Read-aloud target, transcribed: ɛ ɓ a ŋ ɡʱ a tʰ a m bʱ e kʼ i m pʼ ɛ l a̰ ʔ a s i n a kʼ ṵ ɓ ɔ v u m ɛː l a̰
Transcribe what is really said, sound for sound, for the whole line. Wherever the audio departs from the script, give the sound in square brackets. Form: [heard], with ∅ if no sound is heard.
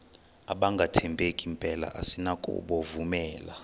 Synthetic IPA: [a] ɓ a ŋ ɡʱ a tʰ [ɛ] m bʱ e kʼ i m pʼ ɛ l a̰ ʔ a s i n a kʼ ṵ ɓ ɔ v u m ɛː l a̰